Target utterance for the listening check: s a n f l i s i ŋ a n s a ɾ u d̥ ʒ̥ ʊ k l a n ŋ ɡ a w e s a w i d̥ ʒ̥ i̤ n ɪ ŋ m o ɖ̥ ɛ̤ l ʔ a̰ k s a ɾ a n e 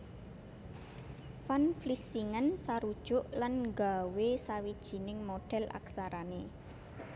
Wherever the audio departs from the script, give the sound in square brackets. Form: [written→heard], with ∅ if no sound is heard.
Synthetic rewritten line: [s→f] a n f l i s i ŋ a n s a ɾ u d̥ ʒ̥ ʊ [k→ʔ] l a n ŋ ɡ a w e s a w i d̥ ʒ̥ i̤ n ɪ ŋ m o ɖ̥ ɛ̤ l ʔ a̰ k s a ɾ a n e